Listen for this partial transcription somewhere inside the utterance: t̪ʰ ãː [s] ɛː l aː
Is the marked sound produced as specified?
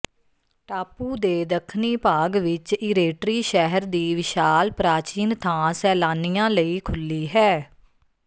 yes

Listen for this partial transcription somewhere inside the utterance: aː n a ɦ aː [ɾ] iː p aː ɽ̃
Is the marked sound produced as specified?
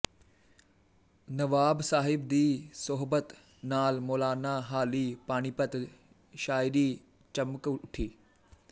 no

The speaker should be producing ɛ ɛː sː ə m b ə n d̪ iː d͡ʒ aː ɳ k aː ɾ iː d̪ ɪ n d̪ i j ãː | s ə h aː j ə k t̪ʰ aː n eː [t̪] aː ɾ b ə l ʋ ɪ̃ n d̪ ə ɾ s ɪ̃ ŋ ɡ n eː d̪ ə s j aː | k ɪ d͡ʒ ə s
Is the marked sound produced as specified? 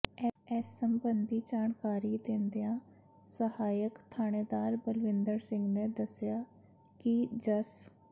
no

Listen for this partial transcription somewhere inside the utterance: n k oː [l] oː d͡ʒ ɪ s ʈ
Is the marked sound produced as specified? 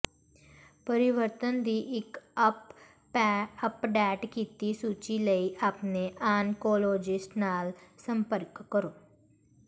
yes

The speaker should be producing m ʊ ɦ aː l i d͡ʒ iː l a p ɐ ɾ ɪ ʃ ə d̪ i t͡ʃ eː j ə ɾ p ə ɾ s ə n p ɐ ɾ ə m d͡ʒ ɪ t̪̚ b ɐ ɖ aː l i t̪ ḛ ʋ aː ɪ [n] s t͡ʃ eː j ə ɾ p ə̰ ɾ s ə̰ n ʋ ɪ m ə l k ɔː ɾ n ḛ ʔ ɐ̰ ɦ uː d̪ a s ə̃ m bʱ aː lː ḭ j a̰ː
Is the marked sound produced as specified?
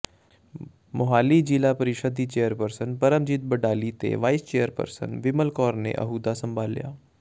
no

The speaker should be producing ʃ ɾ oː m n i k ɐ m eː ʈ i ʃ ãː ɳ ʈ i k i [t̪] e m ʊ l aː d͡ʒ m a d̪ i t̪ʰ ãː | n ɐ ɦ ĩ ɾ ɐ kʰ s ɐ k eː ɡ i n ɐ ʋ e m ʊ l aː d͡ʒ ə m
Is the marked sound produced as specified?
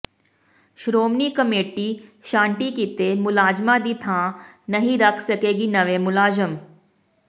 yes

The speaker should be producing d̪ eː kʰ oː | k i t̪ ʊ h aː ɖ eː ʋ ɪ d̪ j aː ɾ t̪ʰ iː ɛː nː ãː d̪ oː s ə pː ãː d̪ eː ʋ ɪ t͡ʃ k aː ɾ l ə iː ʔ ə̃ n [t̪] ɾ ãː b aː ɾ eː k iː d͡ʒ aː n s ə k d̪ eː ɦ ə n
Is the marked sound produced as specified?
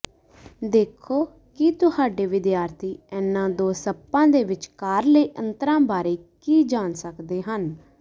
yes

